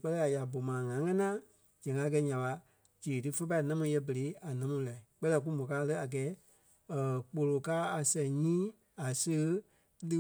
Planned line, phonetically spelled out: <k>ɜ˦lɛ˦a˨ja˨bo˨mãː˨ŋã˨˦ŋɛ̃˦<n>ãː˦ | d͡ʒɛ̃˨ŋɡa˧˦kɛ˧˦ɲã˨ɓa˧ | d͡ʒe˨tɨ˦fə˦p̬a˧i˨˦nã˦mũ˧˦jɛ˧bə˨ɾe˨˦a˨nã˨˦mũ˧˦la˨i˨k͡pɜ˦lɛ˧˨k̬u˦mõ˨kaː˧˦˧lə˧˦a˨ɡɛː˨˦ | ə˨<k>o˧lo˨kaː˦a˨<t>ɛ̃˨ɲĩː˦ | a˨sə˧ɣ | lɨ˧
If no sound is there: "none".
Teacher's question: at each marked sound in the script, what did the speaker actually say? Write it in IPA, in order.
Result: k͡p, n, k͡p, s

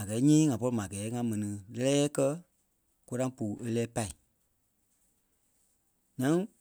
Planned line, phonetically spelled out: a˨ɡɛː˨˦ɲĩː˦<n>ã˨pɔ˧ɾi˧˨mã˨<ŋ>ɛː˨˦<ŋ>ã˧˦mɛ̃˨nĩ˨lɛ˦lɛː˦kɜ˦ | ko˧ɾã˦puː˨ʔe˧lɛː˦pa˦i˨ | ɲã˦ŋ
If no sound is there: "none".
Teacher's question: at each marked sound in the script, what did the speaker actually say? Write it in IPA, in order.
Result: ŋ, ɡ, ŋ

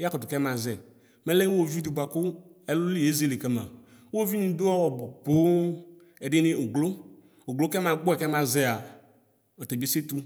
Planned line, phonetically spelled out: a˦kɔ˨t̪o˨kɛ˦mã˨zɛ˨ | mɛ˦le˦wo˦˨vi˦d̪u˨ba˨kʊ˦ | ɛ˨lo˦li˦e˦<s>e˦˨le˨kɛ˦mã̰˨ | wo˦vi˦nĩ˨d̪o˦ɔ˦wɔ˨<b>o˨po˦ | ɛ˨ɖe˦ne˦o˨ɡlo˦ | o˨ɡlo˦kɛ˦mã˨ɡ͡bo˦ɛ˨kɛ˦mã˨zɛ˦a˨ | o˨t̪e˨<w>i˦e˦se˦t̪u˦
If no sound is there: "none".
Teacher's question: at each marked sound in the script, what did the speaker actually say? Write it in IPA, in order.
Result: z, b, b

